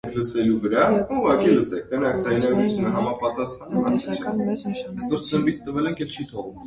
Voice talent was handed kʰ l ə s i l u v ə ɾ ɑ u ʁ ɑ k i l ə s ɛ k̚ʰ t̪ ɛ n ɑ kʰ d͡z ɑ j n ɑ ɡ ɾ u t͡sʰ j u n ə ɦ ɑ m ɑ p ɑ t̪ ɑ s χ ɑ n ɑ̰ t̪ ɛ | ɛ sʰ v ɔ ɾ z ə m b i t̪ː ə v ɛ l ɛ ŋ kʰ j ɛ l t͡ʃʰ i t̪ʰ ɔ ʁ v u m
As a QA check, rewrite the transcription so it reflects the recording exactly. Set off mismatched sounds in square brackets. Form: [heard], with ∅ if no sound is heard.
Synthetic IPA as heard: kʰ l ə s [ɛ] l u v ə ɾ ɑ u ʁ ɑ k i l ə s ɛ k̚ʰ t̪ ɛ n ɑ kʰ d͡z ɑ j n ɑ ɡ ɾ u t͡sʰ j u n ə ɦ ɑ m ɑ p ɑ t̪ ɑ s χ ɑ n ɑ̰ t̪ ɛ | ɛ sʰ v ɔ ɾ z ə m b i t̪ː ə v ɛ l ɛ ŋ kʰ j ɛ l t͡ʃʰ i t̪ʰ ɔ ʁ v u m